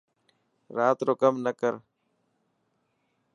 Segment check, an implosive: absent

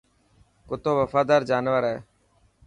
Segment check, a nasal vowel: absent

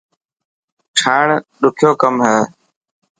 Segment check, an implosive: present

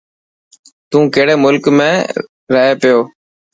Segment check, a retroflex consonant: present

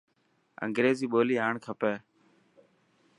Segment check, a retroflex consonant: present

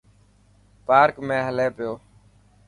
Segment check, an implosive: absent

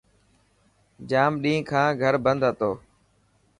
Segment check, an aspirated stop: present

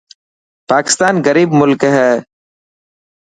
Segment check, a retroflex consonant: absent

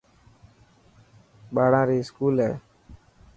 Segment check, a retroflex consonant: present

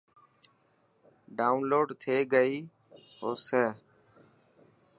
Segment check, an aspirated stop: present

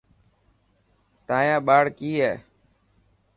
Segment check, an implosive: present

